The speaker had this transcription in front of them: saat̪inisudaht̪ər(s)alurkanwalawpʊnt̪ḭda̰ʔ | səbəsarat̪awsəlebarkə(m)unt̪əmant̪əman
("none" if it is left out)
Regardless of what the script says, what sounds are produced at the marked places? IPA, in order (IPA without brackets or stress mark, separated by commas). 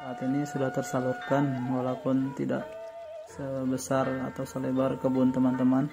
s, b